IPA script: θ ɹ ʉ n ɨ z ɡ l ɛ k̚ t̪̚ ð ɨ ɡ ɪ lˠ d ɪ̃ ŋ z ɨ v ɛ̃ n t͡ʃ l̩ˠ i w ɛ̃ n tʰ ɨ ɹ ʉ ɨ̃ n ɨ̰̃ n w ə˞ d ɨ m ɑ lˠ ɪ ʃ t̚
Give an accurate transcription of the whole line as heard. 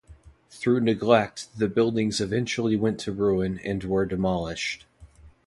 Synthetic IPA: θ ɹ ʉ n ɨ ɡ l ɛ k̚ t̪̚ ð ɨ b ɪ lˠ d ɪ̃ ŋ z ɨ v ɛ̃ n t͡ʃ l̩ˠ i w ɛ̃ n tʰ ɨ ɹ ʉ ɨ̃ n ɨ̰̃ n w ə˞ d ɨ m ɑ lˠ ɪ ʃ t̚